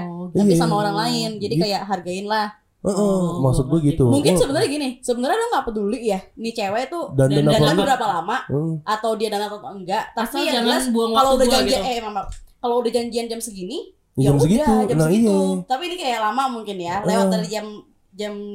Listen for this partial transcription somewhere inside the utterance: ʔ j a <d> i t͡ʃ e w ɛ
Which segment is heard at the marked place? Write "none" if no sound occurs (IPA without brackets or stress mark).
n